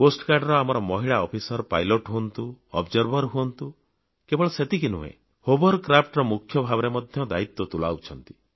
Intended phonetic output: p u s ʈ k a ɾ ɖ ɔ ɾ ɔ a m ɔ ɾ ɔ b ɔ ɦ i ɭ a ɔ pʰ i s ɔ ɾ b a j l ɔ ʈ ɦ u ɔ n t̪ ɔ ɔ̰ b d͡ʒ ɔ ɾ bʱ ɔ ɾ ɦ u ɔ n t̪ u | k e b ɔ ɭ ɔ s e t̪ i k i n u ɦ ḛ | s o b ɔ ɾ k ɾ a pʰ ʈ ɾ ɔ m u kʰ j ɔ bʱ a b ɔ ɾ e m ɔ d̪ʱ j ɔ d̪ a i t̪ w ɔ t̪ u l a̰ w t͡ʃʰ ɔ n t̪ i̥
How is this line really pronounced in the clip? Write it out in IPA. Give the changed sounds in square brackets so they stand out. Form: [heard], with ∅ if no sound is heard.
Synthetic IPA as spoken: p [o] s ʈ k a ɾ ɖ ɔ ɾ ɔ a m ɔ ɾ ɔ [m] ɔ ɦ i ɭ a ɔ pʰ i s ɔ ɾ [p] a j l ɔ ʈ ɦ u ɔ n t̪ [u] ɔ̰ b d͡ʒ ɔ ɾ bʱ ɔ ɾ ɦ u ɔ n t̪ u | k e b ɔ ɭ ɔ s e t̪ i k i n u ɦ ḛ | [h] o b ɔ ɾ k ɾ a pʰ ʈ ɾ ɔ m u kʰ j ɔ bʱ a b ɔ ɾ e m ɔ d̪ʱ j ɔ d̪ a i t̪ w ɔ t̪ u l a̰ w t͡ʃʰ ɔ n t̪ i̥